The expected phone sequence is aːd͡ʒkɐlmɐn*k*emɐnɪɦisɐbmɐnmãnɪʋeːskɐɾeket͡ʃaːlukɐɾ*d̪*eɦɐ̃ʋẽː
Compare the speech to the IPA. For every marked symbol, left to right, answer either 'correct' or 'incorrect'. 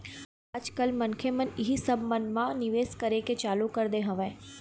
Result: incorrect: kʰ, correct

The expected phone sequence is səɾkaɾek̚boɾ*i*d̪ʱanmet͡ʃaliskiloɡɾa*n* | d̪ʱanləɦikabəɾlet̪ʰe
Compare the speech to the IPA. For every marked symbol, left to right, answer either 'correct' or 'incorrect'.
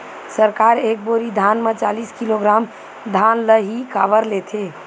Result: correct, incorrect: m

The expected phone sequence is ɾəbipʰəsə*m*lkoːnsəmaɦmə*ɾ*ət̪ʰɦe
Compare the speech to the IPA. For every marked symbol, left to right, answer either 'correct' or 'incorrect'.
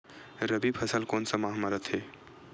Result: incorrect: none, correct

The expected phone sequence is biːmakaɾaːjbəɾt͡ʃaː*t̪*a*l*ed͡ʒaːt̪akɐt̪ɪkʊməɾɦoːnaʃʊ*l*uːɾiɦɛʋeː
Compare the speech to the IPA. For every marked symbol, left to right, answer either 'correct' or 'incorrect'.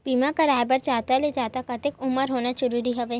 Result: correct, correct, incorrect: ɾ

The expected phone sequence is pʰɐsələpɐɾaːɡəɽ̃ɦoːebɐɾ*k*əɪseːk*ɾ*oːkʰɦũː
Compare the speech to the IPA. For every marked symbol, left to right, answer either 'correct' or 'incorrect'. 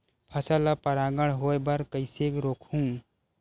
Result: correct, correct

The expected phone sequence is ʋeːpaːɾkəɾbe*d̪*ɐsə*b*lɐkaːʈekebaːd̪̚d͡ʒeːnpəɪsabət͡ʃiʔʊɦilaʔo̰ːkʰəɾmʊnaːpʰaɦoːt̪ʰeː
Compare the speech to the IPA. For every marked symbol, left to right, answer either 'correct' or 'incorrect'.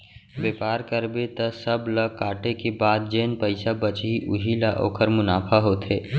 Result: incorrect: t̪, correct

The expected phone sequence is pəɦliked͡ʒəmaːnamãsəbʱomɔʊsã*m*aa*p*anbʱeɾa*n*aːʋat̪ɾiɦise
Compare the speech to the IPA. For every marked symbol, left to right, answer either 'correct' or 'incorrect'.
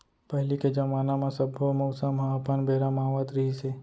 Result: correct, correct, incorrect: m

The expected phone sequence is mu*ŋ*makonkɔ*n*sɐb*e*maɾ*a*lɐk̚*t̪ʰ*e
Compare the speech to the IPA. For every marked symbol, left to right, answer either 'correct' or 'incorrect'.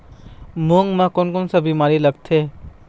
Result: correct, correct, incorrect: i, incorrect: i, correct

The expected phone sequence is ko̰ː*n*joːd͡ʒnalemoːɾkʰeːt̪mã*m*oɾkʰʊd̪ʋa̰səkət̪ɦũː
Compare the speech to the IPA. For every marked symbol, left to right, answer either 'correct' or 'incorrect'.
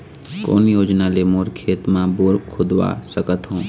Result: correct, incorrect: b

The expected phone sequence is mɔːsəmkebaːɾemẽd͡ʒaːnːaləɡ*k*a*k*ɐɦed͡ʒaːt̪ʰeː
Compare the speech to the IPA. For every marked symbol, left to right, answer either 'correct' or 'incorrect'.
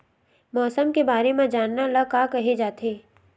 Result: correct, correct

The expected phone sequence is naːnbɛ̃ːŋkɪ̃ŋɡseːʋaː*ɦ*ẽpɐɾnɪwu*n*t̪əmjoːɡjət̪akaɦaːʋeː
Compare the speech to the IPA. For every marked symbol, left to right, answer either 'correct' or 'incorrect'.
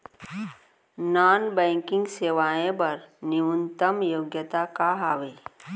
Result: incorrect: none, correct

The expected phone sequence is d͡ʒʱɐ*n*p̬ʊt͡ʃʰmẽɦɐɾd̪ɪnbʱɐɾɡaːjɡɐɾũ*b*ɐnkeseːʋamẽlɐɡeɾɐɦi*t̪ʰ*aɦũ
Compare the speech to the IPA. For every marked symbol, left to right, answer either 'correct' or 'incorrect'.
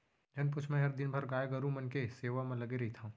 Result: correct, incorrect: m, correct

